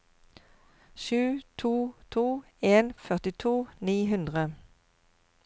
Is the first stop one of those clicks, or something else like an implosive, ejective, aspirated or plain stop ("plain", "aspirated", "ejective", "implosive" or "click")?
aspirated